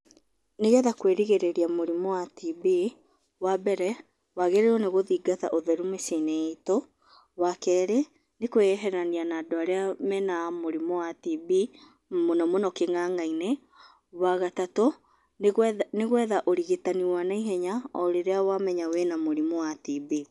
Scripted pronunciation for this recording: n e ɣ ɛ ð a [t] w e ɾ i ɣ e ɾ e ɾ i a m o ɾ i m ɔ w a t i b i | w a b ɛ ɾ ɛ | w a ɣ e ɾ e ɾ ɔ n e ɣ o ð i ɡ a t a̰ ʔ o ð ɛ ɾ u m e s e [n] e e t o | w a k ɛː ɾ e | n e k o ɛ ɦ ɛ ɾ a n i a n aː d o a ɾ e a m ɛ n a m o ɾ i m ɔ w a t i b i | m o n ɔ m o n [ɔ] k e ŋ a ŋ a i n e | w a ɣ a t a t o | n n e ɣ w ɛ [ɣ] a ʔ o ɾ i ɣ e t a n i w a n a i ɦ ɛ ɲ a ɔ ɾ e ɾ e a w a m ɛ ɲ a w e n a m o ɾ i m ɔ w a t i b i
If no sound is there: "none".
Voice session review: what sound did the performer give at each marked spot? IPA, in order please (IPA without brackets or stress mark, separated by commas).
k, n, ɔ, ð